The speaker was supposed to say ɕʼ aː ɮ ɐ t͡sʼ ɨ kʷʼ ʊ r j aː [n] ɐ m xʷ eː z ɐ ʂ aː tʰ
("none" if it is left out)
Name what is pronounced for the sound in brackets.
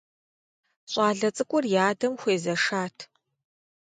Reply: d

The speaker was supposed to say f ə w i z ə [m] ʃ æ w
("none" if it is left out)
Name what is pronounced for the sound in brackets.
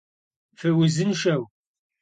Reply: n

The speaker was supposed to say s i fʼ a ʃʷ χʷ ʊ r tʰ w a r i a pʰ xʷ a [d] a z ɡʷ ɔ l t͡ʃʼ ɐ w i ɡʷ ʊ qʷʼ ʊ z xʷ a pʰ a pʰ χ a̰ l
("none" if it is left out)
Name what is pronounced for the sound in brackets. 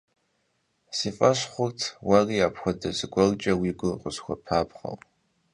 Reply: d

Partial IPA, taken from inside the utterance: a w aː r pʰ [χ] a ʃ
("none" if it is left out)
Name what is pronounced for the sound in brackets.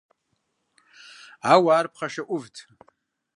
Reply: χ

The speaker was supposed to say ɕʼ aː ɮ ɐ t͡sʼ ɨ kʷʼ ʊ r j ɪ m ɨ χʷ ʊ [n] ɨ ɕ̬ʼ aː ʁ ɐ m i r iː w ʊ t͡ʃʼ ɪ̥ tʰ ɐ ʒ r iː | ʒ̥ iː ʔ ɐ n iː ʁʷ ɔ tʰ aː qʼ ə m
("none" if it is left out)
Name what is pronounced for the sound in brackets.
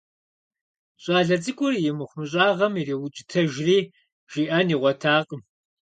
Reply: m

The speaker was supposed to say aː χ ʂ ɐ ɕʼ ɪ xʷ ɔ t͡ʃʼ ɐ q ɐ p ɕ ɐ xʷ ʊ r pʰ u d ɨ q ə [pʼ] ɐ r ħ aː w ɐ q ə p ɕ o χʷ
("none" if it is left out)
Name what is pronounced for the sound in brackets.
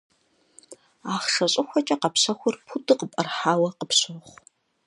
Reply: pʼ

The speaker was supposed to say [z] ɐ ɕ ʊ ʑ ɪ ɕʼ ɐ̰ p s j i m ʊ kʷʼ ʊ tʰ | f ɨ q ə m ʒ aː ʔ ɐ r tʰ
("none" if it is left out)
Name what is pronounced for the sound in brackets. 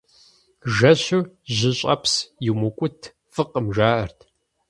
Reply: ʒ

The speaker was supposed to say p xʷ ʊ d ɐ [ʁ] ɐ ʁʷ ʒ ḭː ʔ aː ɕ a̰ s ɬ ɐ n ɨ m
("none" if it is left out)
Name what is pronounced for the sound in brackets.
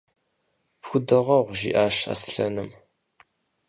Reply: ʁ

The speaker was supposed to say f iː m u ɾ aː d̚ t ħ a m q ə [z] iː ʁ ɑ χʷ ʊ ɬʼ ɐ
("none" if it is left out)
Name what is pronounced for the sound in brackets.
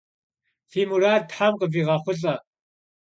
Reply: v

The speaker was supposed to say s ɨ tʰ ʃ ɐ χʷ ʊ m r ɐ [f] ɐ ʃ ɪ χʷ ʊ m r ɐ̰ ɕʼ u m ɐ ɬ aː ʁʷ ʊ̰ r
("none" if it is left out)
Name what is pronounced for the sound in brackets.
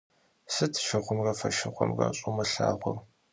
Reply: f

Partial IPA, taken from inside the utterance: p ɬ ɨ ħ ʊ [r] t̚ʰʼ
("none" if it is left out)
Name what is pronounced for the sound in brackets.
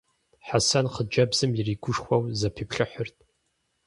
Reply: r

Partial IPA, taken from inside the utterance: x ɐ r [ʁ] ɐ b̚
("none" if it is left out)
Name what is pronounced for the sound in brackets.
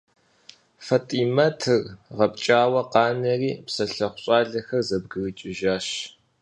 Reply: z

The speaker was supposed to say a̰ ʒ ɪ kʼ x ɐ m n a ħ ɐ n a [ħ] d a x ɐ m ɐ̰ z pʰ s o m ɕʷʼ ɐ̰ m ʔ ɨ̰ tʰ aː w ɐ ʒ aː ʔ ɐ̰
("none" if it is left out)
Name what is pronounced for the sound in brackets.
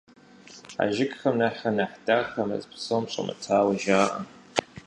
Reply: ħ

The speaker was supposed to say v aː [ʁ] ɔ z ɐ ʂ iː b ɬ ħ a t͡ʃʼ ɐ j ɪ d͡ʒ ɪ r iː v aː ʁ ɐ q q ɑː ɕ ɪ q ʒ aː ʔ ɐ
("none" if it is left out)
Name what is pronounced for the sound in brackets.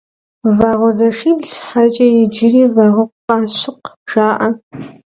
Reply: ʁ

